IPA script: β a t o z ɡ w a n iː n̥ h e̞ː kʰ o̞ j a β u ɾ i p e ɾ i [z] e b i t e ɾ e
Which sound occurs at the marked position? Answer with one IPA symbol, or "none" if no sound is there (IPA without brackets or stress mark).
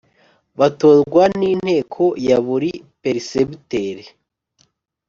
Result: s